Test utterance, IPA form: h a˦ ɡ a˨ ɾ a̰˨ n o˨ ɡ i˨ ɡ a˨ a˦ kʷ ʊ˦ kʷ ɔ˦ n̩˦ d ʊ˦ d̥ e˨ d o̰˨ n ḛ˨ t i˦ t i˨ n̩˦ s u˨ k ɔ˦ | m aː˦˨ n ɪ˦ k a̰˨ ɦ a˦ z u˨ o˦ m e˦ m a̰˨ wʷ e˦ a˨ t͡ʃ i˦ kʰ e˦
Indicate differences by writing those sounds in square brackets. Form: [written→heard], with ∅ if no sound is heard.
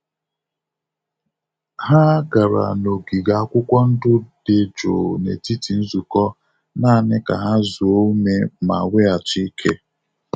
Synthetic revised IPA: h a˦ ɡ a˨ ɾ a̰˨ n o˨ ɡ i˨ ɡ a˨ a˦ kʷ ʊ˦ kʷ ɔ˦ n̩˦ d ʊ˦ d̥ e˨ [d→d͡ʒ] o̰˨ n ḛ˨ t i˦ t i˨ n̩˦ [s→z] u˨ k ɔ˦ | [m→n] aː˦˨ n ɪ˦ k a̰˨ ɦ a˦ z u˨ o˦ m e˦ m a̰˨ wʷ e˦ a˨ t͡ʃ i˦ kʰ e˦